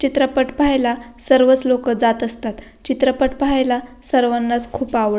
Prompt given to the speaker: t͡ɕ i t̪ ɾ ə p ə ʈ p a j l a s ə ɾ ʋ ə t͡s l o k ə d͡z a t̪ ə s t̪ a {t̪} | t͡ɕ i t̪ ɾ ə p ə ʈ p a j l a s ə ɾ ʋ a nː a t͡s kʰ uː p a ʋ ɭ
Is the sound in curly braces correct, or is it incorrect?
correct